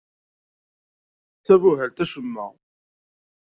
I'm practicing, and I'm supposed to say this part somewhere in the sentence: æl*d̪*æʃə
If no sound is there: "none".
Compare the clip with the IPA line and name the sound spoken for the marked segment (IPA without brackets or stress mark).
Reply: t̪